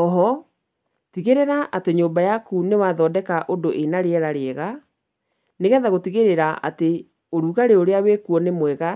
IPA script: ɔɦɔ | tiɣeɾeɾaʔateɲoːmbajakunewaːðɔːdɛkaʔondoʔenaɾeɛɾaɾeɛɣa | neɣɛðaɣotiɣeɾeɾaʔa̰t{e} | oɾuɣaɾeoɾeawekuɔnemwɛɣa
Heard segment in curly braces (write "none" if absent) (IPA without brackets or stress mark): e